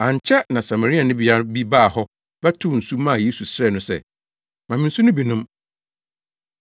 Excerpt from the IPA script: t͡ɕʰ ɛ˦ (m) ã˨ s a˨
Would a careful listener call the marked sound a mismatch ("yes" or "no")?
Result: yes